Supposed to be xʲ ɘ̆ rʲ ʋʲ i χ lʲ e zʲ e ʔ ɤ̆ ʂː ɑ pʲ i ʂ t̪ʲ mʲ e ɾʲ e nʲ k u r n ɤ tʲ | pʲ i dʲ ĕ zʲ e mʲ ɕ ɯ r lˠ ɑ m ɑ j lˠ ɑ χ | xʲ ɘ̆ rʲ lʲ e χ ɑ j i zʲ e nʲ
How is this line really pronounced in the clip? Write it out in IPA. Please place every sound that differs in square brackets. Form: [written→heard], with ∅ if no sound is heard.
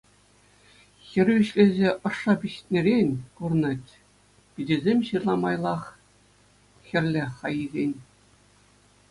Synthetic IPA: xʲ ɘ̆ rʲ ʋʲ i [χ→ɕ] lʲ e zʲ e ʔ ɤ̆ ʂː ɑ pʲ i [ʂ→ɕ] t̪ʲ [mʲ→nʲ] e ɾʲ e nʲ k u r n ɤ tʲ | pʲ i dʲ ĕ zʲ e mʲ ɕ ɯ r lˠ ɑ m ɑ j lˠ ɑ χ | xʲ ɘ̆ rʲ lʲ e χ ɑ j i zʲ e nʲ